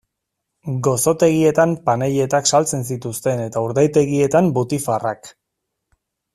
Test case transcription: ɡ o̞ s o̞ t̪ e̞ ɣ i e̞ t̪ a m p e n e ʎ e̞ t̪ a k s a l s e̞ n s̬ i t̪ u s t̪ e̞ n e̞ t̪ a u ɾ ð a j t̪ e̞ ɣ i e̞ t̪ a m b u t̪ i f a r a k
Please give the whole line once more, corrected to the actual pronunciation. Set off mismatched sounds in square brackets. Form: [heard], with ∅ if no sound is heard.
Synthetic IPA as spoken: ɡ o̞ s o̞ t̪ e̞ ɣ i e̞ t̪ a m p [a] n e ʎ e̞ t̪ a k s a l [t͡s] e̞ n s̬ i t̪ u s t̪ e̞ n e̞ t̪ a u ɾ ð a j t̪ e̞ ɣ i e̞ t̪ a m b u t̪ i f a r a k